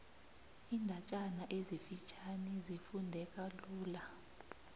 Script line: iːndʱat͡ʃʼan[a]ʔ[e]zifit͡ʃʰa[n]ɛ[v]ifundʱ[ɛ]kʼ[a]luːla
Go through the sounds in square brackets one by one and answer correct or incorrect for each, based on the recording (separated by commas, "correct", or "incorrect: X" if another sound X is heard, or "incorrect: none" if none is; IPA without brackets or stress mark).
correct, correct, correct, incorrect: z, correct, correct